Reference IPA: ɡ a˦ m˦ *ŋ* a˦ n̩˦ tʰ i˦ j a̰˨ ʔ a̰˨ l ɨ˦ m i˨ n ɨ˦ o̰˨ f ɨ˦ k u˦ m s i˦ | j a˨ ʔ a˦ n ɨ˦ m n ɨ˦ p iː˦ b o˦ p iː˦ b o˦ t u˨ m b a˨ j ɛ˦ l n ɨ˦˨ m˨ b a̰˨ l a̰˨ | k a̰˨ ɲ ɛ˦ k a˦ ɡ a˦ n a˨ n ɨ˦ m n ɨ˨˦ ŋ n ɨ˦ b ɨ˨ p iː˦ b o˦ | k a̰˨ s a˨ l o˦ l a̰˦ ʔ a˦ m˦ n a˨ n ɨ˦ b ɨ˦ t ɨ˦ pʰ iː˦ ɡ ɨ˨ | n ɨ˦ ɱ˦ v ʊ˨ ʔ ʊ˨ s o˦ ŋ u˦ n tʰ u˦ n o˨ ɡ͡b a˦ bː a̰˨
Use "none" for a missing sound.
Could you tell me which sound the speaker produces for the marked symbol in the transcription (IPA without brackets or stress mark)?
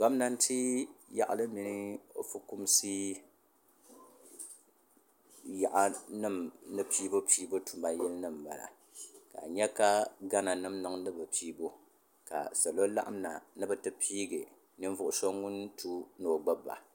n